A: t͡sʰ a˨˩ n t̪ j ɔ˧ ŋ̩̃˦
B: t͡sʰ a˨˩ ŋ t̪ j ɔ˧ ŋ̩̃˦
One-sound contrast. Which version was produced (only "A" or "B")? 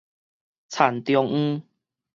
A